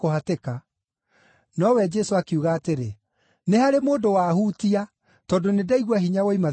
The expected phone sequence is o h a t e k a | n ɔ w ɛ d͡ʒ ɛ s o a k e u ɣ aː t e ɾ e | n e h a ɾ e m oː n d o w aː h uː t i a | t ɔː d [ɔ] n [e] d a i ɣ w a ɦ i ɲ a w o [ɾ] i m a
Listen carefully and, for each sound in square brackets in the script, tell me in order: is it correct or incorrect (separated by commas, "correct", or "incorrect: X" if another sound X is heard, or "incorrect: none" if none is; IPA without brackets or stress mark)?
incorrect: o, correct, incorrect: none